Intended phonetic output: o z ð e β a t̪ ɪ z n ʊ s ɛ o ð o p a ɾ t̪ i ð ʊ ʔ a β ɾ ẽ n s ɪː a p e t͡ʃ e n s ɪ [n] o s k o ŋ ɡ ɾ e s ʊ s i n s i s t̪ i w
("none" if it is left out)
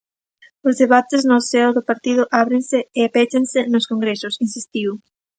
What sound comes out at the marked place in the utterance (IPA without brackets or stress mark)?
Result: n